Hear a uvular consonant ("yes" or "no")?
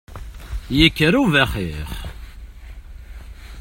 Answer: yes